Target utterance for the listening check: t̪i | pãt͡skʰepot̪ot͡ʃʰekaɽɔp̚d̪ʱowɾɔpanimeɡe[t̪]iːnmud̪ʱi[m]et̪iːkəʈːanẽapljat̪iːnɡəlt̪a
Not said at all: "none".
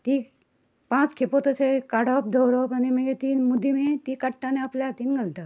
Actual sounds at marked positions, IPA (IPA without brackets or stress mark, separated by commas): t̪, m